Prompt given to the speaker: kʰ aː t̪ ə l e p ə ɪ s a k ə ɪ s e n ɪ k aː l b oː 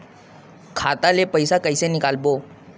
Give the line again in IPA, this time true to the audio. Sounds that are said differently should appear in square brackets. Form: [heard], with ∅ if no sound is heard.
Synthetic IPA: kʰ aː t̪ [a] l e p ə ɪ s a k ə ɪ s e n ɪ k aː l b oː